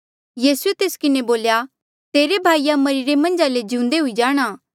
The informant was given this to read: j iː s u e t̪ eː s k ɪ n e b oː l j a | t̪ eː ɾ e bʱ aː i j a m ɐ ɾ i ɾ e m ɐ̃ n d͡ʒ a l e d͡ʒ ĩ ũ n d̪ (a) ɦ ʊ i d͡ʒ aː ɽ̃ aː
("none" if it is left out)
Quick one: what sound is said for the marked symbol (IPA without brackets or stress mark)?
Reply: e